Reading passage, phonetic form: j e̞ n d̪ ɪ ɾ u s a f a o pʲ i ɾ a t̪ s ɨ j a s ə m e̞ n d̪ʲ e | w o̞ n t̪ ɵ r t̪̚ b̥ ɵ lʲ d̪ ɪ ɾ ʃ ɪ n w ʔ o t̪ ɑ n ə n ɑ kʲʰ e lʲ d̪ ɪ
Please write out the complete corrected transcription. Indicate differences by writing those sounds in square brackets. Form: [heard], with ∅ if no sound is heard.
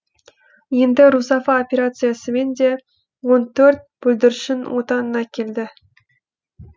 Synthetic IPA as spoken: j e̞ n d̪ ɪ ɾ u s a f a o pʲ [e] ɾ a t̪ s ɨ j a s ə m e̞ n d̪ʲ e | w o̞ n t̪ ɵ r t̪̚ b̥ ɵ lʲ d̪ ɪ ɾ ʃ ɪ n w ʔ o t̪ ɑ n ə n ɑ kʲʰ e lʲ d̪ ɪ